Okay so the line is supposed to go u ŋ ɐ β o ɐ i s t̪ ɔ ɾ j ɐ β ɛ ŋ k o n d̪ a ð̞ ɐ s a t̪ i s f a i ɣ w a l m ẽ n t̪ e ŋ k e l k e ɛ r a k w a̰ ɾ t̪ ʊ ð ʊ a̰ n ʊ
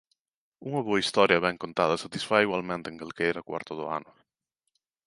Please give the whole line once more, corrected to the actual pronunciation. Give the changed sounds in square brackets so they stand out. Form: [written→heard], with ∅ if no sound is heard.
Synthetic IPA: u ŋ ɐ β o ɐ i s t̪ ɔ ɾ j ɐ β ɛ ŋ k o n [d̪→t̪] a ð̞ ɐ s a t̪ i s f a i ɣ w a l m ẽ n t̪ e ŋ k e l k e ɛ [r→ɾ] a k w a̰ ɾ t̪ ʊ ð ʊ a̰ n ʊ